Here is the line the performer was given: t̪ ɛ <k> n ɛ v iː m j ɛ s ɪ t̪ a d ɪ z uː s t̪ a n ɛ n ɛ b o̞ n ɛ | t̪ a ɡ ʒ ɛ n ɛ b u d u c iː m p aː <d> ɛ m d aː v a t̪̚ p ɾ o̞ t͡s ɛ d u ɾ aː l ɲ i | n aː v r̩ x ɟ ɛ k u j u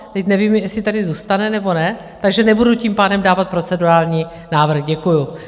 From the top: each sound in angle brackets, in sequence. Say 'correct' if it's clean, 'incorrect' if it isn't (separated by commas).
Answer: incorrect, correct